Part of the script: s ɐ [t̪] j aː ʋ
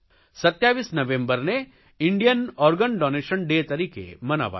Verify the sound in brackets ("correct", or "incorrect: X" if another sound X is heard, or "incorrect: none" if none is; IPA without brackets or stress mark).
correct